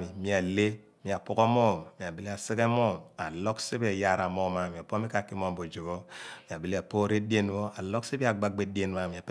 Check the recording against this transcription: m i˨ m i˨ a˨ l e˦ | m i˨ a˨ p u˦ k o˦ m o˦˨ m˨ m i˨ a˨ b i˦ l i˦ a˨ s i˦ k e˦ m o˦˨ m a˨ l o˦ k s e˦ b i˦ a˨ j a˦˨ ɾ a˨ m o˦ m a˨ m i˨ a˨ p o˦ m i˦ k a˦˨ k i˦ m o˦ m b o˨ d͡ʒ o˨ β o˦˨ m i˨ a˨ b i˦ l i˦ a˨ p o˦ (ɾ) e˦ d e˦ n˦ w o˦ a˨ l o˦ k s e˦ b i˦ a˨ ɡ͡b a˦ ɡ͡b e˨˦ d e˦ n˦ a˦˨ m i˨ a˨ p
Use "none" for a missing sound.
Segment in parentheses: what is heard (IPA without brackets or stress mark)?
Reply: ɾ